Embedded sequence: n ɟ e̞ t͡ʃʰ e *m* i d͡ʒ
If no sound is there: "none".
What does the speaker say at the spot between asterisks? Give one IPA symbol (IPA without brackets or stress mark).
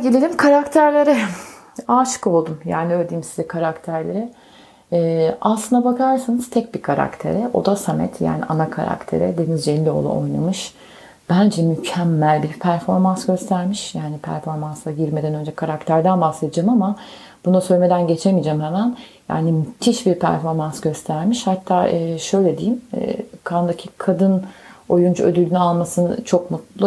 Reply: m